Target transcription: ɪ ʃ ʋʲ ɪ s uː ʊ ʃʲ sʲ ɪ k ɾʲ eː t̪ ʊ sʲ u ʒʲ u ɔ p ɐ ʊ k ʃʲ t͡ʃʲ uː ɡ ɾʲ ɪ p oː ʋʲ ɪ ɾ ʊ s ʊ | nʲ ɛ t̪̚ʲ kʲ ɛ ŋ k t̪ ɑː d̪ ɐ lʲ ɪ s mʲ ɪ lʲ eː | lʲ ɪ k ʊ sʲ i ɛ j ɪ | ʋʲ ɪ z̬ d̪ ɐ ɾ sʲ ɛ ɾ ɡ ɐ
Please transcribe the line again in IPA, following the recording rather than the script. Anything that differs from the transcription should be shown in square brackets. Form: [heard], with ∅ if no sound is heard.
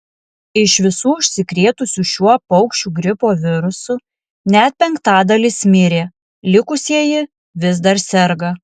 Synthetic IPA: ɪ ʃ ʋʲ ɪ s uː ʊ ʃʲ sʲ ɪ k ɾʲ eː t̪ ʊ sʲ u [ʃʲ] u ɔ p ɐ ʊ k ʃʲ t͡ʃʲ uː ɡ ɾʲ ɪ p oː ʋʲ ɪ ɾ ʊ s ʊ | nʲ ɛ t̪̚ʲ [pʲ] ɛ ŋ k t̪ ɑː d̪ ɐ lʲ ɪ s mʲ ɪ [ɾʲ] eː | lʲ ɪ k ʊ sʲ i ɛ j ɪ | ʋʲ ɪ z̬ d̪ ɐ ɾ sʲ ɛ ɾ ɡ ɐ